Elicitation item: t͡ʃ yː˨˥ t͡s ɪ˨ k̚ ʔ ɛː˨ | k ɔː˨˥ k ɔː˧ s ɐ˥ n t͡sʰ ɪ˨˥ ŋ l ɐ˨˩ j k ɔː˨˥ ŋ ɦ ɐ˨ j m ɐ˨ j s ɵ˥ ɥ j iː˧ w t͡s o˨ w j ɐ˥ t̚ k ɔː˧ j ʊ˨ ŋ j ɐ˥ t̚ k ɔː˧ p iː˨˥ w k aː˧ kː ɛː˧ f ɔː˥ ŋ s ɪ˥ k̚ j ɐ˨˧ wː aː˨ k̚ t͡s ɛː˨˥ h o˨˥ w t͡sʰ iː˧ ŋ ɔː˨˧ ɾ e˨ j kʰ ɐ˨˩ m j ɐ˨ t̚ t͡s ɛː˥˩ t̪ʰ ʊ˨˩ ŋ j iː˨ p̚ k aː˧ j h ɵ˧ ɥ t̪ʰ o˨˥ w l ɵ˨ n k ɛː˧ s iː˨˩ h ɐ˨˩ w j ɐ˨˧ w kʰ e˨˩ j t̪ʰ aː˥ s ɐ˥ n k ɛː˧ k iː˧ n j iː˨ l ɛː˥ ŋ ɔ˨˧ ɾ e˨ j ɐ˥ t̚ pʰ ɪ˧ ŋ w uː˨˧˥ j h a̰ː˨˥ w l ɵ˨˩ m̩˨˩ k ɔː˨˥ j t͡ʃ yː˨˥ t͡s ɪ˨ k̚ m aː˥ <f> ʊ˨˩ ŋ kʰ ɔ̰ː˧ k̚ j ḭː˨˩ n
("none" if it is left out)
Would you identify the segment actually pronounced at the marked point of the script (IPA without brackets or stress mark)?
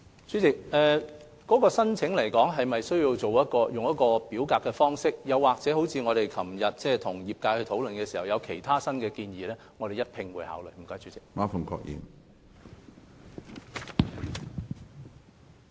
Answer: f